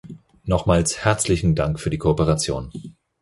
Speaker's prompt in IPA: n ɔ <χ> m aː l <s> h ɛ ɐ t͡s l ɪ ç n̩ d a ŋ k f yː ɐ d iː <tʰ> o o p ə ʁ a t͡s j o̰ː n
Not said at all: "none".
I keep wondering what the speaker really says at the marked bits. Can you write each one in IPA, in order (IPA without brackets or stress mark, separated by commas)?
χ, s, kʰ